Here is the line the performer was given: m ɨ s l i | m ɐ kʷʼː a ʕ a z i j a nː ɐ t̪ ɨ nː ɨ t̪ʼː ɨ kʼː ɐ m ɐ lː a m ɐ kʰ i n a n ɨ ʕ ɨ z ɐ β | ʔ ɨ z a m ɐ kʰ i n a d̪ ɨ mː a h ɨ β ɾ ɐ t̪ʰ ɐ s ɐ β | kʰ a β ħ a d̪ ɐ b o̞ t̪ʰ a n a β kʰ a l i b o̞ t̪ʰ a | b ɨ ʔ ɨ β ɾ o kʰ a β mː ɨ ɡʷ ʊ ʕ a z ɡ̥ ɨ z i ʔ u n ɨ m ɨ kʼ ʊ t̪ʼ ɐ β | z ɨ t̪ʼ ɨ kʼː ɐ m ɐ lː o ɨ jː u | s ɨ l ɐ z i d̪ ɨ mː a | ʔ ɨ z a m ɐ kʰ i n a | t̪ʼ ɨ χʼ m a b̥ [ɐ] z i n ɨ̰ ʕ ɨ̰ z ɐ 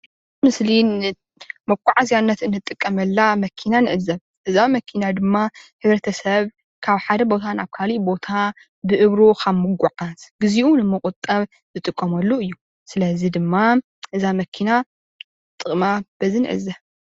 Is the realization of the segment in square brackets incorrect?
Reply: no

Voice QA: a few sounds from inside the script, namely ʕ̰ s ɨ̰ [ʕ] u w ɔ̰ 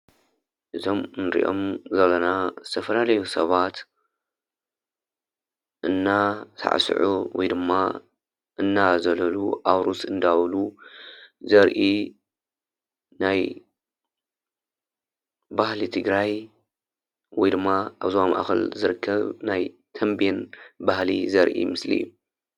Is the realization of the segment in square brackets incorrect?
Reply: no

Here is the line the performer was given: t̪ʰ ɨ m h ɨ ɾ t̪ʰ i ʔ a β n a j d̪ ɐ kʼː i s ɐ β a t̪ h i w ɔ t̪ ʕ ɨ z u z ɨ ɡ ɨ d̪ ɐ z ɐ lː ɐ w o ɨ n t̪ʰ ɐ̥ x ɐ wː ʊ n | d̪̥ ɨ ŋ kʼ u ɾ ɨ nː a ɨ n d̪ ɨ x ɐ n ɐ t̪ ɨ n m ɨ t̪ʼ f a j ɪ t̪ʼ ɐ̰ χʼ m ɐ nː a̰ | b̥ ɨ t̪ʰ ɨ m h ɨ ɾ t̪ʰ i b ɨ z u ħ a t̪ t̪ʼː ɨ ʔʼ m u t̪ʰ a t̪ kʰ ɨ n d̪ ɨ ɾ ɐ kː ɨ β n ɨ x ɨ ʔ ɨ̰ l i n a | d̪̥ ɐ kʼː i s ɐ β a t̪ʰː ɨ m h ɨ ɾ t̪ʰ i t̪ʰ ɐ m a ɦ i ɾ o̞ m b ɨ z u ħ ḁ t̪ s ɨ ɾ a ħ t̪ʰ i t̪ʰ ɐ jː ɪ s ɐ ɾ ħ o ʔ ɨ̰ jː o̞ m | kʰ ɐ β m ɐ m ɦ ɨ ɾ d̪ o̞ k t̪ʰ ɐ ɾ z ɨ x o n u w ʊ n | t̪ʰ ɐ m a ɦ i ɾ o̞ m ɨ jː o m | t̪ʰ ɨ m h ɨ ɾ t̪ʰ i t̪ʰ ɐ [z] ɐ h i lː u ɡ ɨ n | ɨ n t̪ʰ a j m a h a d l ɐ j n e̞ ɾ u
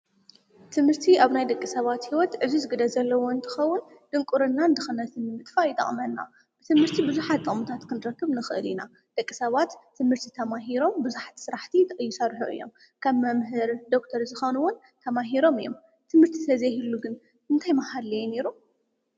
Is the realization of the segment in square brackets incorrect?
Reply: no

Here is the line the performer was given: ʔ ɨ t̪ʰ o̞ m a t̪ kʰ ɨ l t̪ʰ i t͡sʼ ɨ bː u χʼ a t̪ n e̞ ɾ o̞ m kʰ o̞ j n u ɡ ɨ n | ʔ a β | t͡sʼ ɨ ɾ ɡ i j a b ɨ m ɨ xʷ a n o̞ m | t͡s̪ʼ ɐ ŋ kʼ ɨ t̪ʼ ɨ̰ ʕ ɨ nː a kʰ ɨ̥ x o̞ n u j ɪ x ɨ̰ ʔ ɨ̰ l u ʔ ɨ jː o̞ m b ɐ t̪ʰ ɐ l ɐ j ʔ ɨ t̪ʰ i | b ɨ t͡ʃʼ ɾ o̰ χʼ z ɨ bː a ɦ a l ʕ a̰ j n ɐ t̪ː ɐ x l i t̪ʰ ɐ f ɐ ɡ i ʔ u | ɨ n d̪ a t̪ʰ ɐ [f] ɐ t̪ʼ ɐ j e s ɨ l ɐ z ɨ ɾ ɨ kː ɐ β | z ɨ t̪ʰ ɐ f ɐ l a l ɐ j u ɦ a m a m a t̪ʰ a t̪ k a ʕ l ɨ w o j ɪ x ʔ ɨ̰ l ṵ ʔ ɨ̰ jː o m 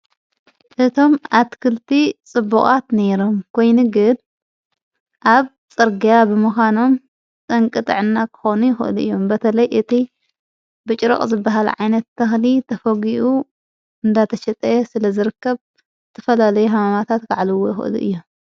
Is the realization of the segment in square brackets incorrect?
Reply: yes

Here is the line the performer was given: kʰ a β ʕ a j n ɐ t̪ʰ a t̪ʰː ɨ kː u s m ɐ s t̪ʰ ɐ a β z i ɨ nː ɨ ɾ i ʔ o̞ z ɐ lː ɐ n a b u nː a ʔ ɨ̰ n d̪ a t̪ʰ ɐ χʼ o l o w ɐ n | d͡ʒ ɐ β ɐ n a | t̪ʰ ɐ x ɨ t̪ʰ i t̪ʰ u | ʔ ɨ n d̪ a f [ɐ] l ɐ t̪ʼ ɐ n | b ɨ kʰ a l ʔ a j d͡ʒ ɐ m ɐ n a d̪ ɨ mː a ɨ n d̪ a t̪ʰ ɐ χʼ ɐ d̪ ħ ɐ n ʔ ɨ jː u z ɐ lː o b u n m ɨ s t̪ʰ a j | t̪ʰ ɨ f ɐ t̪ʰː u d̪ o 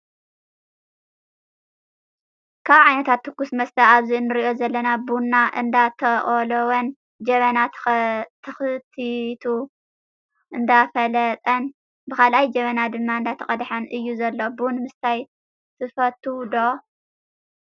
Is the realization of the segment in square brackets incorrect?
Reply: no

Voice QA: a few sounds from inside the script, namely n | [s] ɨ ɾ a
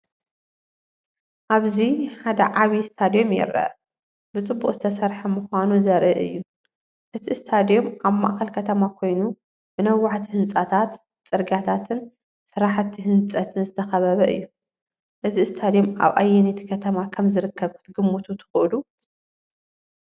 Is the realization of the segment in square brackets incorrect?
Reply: no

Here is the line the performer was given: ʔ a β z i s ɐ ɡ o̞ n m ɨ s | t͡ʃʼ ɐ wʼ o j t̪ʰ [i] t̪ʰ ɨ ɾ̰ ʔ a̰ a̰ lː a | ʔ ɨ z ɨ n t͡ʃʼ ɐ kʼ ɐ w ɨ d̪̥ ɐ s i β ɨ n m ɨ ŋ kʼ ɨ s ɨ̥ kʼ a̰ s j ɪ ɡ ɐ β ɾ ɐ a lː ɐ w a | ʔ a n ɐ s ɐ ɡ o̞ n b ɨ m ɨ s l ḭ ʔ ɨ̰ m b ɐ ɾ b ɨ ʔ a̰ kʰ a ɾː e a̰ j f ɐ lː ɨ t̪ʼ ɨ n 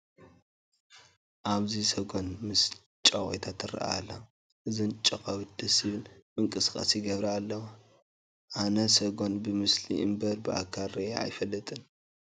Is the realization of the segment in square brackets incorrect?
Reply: yes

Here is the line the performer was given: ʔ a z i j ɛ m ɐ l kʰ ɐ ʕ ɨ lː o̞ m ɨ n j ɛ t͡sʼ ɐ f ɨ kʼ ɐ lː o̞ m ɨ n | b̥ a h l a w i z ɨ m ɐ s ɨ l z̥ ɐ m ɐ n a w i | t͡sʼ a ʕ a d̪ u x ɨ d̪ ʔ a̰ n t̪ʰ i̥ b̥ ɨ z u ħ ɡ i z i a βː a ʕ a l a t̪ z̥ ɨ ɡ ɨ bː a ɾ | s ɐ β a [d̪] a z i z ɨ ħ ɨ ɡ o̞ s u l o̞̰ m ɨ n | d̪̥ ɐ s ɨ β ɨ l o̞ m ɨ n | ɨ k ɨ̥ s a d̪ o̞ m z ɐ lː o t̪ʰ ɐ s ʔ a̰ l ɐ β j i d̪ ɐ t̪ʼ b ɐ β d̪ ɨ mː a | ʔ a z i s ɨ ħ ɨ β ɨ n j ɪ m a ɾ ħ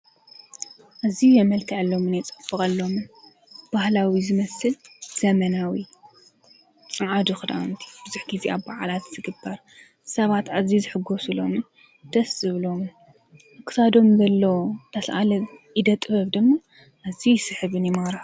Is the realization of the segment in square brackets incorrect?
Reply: yes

